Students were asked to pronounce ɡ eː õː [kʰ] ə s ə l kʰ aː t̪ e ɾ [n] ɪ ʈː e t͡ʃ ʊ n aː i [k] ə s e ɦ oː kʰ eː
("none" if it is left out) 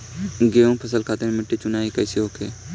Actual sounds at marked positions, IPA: pʰ, m, k

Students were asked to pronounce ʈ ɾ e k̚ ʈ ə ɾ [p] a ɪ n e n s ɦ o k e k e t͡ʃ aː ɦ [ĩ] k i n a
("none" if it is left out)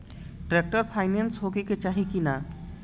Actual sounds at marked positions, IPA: pʰ, i

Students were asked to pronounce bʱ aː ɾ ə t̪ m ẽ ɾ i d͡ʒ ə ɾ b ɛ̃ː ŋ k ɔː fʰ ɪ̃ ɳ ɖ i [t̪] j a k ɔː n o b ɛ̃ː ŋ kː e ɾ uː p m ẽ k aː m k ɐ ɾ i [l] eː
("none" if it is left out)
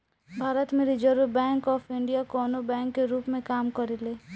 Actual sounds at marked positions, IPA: none, l

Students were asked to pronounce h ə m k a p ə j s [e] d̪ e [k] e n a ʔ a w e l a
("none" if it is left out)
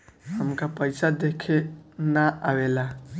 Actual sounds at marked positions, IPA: a, kʰ

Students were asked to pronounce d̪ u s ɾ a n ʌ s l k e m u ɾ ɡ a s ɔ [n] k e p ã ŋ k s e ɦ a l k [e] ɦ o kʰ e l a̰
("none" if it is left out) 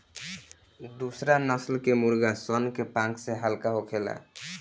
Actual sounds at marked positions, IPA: n, a

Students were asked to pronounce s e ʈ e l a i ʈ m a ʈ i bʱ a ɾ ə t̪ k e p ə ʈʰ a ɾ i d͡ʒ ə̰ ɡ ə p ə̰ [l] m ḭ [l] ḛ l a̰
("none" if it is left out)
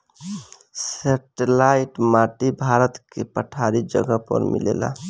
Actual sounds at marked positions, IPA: ɾ, l

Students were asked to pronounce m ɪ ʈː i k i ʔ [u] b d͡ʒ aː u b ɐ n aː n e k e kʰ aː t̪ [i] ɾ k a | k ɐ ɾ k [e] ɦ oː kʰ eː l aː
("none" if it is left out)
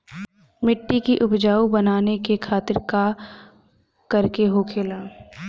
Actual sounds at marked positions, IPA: ʊ, ɪ, e

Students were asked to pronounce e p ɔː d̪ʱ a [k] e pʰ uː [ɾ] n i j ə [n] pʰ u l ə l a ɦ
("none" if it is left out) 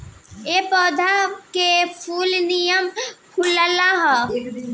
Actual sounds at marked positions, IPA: k, l, m

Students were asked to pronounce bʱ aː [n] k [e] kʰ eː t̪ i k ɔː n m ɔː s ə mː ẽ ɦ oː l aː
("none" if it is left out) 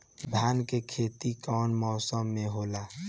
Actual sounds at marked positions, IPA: n, e

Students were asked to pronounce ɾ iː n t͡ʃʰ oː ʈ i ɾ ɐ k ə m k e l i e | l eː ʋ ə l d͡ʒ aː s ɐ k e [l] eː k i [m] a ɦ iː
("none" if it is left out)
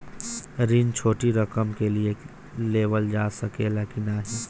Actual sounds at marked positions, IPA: l, n

